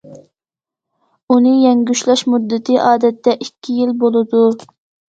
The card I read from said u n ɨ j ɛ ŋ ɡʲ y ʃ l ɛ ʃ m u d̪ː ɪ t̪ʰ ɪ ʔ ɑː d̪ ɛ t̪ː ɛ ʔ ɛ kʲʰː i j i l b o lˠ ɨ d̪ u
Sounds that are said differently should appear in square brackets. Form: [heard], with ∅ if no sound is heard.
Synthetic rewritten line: u n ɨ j ɛ ŋ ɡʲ y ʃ l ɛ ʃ m u d̪ː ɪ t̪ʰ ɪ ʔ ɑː d̪ ɛ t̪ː ɛ ʔ [i] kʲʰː i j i l b o lˠ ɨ d̪ u